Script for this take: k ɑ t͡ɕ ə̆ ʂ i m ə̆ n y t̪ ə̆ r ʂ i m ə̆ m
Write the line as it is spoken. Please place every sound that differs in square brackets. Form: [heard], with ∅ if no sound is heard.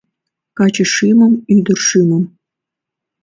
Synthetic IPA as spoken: k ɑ t͡ɕ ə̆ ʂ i m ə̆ [m] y [d̪] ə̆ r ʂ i m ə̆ m